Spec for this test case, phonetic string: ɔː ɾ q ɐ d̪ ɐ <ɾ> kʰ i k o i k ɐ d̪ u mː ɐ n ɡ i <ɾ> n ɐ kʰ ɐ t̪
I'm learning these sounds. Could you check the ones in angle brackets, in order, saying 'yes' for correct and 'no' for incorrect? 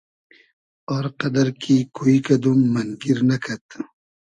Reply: yes, yes

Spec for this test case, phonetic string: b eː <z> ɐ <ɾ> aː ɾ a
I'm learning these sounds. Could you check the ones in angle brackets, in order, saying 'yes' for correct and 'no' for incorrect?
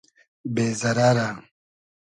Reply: yes, yes

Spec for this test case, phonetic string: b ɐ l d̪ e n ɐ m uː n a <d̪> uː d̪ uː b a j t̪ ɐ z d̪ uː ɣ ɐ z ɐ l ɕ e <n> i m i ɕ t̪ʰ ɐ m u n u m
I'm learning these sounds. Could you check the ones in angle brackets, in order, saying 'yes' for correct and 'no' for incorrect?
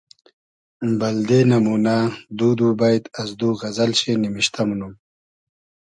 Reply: yes, yes

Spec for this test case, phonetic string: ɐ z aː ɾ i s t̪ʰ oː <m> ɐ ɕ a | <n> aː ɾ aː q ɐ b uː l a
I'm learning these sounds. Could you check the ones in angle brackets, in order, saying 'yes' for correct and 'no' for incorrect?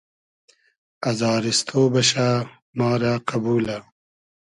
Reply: no, no

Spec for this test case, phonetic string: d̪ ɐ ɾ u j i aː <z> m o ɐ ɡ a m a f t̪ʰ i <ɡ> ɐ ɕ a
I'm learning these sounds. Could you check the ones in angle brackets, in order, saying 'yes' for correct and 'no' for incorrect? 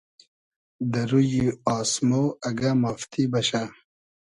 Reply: no, no

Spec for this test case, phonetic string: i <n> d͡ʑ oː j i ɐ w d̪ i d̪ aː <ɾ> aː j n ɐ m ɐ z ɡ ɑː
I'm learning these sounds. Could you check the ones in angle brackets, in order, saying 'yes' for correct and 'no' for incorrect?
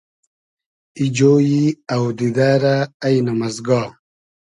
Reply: no, yes

